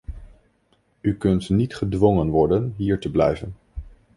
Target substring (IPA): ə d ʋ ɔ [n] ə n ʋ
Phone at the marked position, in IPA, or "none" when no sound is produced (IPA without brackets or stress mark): ŋ